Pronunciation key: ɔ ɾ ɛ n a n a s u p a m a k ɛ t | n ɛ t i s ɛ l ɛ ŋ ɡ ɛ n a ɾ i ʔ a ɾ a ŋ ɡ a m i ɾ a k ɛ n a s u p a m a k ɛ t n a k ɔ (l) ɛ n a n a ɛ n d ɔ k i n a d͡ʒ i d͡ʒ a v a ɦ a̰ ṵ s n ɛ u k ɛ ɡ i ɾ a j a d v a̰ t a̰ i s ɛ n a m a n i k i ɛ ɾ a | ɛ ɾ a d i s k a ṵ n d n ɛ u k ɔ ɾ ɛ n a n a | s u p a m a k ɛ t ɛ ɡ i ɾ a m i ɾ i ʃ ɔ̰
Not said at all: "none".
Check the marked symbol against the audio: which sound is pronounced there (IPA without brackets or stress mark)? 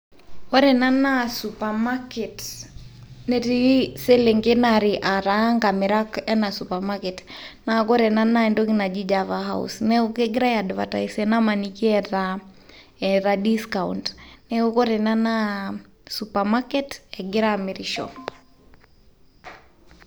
ɾ